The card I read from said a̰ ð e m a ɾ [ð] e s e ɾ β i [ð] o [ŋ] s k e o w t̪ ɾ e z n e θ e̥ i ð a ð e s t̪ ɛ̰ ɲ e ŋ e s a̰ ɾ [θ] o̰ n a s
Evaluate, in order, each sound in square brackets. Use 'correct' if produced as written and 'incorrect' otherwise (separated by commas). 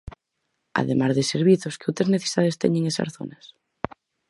correct, incorrect, incorrect, correct